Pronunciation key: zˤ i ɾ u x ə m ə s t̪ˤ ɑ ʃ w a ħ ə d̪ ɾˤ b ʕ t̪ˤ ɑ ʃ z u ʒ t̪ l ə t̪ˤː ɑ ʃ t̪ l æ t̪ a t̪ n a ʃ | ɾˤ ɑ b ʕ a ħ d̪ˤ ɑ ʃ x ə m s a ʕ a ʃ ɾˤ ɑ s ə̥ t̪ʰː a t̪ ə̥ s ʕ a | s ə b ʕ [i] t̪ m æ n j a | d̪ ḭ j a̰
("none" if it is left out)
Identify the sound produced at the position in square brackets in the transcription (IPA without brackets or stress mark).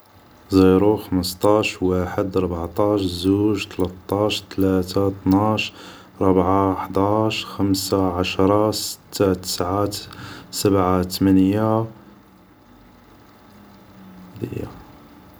a